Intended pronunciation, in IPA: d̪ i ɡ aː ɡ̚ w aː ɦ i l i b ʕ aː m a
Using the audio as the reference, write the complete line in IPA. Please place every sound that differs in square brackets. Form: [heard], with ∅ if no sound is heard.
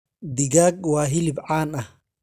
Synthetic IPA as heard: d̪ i ɡ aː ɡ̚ w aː ɦ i l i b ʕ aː [n] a